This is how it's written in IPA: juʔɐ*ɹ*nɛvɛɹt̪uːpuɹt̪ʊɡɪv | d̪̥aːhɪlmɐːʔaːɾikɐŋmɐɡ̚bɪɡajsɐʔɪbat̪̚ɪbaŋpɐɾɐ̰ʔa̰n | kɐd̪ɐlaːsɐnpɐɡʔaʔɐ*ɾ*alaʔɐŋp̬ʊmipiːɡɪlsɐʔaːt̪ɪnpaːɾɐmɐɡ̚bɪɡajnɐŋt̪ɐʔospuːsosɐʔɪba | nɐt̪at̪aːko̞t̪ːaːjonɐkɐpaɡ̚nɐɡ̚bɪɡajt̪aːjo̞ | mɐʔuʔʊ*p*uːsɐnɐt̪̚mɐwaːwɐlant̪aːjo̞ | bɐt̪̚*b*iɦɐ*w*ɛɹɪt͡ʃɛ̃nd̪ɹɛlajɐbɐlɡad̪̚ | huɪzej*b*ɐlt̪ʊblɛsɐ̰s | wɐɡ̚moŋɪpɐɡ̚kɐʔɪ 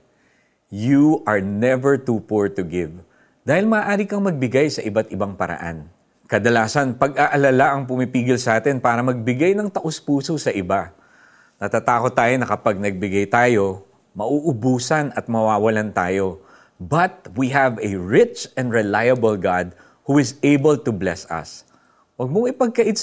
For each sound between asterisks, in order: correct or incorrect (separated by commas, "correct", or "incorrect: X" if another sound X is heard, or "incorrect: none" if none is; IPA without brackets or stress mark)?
correct, incorrect: l, incorrect: b, incorrect: w, incorrect: v, correct